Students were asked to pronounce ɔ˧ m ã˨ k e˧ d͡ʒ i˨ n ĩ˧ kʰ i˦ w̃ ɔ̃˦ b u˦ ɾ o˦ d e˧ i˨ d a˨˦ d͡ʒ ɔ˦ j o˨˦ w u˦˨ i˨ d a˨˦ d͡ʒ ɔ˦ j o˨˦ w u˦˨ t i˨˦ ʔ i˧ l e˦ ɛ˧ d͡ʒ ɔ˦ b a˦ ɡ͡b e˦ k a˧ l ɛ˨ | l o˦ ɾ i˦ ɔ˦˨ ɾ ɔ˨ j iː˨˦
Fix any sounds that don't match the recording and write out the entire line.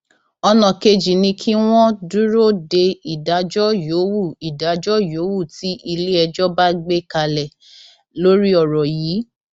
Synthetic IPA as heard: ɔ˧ n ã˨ k e˧ d͡ʒ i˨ n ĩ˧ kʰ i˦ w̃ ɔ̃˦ d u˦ ɾ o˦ d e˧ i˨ d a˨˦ d͡ʒ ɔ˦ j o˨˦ w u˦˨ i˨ d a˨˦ d͡ʒ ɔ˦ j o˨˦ w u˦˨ t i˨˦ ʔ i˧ l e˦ ɛ˧ d͡ʒ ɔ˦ b a˦ ɡ͡b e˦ k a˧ l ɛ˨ | l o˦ ɾ i˦ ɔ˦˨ ɾ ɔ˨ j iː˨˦